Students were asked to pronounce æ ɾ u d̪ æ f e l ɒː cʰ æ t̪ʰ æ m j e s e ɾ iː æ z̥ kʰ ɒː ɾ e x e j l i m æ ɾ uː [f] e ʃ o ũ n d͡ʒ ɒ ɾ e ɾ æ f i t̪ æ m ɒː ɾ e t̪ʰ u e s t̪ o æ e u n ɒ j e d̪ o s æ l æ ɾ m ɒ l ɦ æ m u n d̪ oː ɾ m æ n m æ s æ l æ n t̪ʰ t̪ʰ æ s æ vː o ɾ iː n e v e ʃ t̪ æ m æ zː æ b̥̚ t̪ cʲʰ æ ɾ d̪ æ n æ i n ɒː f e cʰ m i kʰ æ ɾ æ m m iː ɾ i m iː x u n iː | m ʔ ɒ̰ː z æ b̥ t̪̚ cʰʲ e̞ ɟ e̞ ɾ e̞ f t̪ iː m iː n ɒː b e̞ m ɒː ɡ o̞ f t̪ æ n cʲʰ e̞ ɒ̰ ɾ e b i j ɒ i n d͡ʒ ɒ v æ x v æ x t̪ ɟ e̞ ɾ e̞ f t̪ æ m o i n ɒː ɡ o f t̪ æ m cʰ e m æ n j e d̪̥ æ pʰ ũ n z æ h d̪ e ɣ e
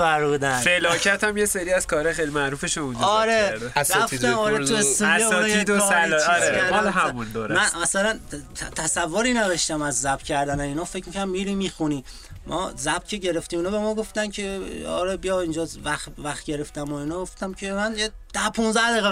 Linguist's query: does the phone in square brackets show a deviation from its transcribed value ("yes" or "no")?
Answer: no